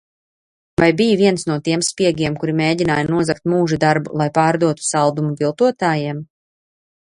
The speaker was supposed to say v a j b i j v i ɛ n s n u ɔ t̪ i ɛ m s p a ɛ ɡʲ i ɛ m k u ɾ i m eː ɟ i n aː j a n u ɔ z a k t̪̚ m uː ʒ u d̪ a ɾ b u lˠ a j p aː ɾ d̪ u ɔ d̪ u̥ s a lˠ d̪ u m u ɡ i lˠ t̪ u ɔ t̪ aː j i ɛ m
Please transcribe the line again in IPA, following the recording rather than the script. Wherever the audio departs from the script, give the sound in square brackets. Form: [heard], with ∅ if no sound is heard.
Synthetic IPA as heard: v a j b i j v i ɛ n s n u ɔ t̪ i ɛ m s p [i] ɛ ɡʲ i ɛ m k u ɾ i m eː ɟ i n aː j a n u ɔ z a k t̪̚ m uː ʒ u d̪ a ɾ b u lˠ a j p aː ɾ d̪ u ɔ [t̪] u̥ s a lˠ d̪ u m u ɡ i lˠ t̪ u ɔ t̪ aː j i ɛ m